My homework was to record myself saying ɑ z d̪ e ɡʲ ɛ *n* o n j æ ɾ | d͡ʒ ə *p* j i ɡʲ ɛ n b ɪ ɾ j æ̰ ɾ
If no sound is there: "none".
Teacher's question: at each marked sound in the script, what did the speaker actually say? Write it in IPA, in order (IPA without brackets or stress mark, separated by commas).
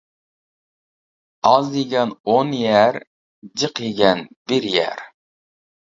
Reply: n, q